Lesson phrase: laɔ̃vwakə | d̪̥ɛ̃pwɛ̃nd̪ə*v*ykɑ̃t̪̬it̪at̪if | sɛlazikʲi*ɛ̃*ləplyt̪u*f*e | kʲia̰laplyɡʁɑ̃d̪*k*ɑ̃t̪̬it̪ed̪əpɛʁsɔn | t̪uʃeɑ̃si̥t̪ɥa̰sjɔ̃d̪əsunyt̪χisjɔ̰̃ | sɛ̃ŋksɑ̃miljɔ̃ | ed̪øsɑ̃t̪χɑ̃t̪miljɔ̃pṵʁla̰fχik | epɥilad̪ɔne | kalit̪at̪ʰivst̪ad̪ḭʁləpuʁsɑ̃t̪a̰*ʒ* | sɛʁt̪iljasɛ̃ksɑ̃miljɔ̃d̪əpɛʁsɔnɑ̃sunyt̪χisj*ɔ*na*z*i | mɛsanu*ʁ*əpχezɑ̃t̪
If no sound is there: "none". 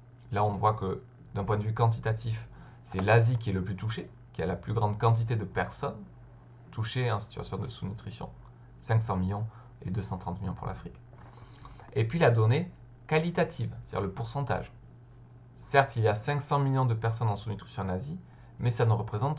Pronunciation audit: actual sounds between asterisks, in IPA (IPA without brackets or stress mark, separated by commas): v, ɛ, ʃ, k, ʒ, ɔ̃, z, ʁ